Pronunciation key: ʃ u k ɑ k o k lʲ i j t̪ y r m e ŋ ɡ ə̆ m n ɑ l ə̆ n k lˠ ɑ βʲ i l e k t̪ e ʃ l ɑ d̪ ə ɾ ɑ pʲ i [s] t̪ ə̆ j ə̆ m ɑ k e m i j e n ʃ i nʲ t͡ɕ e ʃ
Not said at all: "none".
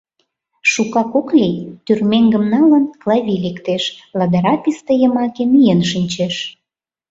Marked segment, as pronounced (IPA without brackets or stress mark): s